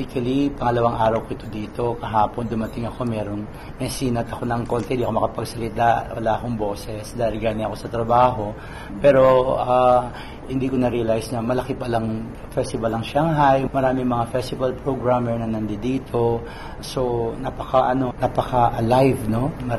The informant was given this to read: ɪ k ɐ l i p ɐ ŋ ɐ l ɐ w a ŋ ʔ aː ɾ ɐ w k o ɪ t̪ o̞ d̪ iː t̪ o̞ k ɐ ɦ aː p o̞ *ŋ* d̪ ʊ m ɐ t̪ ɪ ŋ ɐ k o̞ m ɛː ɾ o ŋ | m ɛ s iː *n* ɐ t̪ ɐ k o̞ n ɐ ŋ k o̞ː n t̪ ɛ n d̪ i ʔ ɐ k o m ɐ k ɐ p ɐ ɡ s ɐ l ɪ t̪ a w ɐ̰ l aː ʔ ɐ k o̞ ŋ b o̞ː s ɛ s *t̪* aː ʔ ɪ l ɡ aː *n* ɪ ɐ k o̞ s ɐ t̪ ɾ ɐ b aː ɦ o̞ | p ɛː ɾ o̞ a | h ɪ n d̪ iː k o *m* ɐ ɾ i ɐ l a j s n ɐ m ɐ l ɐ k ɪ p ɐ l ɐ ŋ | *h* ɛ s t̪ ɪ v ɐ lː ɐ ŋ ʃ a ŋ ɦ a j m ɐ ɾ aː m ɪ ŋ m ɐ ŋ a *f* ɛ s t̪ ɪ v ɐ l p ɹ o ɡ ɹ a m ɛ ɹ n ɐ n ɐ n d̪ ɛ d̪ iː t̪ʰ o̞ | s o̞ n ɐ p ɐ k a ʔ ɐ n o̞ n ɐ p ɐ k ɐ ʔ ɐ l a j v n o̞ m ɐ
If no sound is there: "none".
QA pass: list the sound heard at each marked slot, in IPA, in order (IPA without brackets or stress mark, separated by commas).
n, n, d̪, n, n, f, f